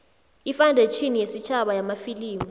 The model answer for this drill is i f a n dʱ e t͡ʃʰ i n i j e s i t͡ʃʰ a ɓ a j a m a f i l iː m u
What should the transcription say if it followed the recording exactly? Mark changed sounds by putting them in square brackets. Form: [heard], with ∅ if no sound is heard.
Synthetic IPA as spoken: i f a n dʱ e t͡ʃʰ i n i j e s i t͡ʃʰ a ɓ a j a m a f i l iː m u